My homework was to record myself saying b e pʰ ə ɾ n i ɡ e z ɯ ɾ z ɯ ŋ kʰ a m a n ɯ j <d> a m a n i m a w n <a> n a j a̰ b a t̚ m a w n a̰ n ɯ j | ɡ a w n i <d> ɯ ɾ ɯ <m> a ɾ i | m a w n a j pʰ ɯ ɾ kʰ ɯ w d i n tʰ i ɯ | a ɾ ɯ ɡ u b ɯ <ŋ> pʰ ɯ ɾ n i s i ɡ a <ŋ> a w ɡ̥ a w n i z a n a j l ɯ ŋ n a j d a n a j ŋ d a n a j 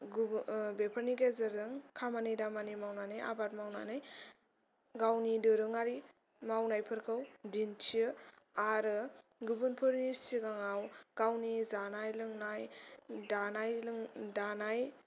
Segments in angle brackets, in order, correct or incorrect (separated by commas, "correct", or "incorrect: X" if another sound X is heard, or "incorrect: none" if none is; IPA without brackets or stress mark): correct, correct, correct, incorrect: ŋ, incorrect: n, correct